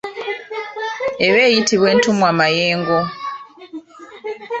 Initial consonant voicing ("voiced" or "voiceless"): voiced